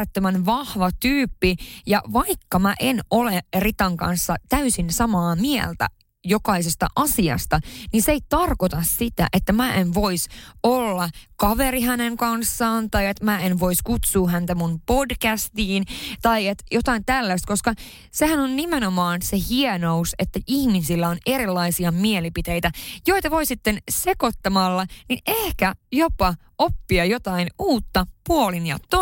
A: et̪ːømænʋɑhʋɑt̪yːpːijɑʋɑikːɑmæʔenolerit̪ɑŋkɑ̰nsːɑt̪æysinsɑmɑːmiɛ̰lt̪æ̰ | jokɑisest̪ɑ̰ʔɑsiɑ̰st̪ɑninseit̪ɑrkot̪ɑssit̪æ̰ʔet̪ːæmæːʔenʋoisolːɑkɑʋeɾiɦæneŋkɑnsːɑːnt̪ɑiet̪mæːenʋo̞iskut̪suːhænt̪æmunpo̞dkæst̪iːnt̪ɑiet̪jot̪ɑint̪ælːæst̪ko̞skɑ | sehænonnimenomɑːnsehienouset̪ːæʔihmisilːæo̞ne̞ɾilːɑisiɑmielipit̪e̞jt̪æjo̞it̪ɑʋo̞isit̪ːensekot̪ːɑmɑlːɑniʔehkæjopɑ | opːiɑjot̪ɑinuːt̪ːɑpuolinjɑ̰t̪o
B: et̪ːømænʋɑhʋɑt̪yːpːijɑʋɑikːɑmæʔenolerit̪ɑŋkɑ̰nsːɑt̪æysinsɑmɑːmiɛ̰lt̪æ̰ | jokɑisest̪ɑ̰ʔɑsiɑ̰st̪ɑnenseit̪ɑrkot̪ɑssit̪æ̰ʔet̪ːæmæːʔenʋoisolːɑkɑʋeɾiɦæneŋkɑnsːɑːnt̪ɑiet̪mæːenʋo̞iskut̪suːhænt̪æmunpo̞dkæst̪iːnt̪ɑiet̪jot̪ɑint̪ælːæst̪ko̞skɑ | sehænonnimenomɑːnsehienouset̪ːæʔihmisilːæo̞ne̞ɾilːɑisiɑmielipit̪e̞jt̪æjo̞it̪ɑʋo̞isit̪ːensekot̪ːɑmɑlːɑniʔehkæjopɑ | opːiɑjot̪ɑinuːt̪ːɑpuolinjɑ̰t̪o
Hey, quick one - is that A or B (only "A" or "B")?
A